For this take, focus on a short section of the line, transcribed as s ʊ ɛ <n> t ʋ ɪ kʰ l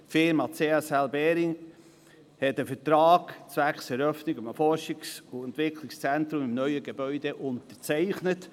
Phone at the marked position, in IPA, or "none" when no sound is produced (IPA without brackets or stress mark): n